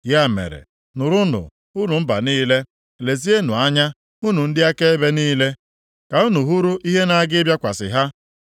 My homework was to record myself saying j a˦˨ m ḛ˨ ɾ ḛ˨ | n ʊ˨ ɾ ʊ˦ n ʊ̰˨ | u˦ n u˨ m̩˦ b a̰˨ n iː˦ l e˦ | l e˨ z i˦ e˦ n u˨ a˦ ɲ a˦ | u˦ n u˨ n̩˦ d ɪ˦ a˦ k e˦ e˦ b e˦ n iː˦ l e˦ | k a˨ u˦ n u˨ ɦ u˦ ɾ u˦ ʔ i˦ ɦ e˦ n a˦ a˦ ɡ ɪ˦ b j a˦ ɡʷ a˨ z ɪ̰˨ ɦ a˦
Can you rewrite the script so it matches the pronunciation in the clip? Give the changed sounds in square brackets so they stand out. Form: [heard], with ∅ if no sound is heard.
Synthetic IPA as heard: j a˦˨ m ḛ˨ ɾ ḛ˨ | n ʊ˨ ɾ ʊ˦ n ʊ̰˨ | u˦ n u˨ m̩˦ b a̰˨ n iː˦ l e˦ | l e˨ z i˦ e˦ n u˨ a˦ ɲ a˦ | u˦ n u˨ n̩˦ d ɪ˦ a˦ k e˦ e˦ b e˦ n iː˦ l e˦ | k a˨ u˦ n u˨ ɦ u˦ ɾ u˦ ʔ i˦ ɦ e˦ n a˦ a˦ ɡ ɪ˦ b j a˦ [kʷ] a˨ [s] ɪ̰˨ ɦ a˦